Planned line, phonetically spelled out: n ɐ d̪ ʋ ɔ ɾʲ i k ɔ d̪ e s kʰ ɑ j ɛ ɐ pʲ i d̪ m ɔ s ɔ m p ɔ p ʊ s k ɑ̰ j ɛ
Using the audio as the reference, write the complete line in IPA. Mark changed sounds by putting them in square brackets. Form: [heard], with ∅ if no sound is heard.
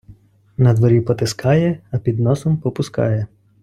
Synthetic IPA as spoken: n ɐ d̪ ʋ ɔ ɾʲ i [p] ɔ [t̪] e s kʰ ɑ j ɛ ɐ pʲ i d̪ [n] ɔ s ɔ m p ɔ p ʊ s k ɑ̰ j ɛ

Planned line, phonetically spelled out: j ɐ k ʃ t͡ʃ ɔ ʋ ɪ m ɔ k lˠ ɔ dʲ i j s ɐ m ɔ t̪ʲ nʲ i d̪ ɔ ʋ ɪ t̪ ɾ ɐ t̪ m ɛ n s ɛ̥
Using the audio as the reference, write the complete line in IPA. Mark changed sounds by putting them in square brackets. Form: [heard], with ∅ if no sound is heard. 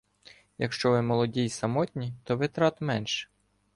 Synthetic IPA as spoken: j ɐ k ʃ t͡ʃ ɔ ʋ ɪ m ɔ [∅] lˠ ɔ dʲ i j s ɐ m ɔ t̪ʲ nʲ i [t̪] ɔ ʋ ɪ t̪ ɾ [ɑ] t̪ m ɛ n [ʃ] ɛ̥

